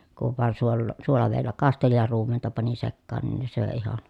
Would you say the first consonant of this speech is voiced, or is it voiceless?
voiceless